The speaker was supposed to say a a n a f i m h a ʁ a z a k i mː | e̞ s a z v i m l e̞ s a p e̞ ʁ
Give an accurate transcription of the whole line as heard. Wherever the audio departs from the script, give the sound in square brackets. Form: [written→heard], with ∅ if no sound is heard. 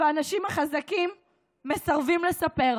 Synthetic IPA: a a n a [f→ʃ] i m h a [ʁ→χ] a z a k i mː | e̞ s a [z→ʁ] v i m l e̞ s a p e̞ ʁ